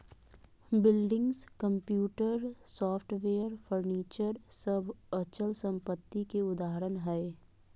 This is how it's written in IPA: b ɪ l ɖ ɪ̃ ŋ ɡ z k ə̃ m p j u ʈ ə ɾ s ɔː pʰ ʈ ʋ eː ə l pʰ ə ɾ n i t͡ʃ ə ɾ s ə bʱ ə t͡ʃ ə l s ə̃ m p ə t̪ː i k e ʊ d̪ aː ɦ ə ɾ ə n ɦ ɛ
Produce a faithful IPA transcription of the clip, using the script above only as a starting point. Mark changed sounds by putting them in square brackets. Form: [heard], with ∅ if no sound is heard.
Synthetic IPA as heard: b ɪ l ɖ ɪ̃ ŋ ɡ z k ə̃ m p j [uː] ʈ ə ɾ s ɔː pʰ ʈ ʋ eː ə [ɾ] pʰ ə ɾ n [iː] t͡ʃ ə ɾ s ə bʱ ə t͡ʃ ə l s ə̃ m p ə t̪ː i k e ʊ d̪ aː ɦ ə ɾ ə n ɦ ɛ